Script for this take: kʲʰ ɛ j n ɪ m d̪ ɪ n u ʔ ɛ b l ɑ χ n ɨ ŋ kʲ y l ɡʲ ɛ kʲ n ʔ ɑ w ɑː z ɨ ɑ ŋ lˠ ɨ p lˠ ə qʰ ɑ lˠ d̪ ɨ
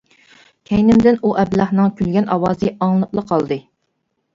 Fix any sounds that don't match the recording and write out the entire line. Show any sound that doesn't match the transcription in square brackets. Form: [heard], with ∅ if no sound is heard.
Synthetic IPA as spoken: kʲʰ ɛ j n ɪ m d̪ ɪ n u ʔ ɛ b l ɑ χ n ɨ ŋ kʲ y l ɡʲ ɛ [∅] n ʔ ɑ w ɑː z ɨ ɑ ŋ lˠ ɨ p lˠ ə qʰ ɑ lˠ d̪ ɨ